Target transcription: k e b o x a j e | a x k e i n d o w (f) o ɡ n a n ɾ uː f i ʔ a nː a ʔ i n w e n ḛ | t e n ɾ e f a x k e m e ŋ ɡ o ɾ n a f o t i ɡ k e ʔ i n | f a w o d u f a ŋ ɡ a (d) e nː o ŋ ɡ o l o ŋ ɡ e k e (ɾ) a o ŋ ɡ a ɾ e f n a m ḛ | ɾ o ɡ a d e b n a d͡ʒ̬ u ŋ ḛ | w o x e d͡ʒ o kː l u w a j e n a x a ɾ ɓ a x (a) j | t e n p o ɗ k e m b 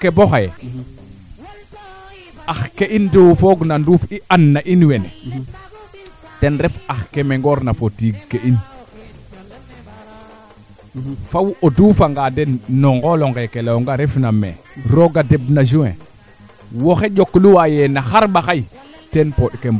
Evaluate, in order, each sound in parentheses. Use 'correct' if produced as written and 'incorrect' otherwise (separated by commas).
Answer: correct, correct, incorrect, correct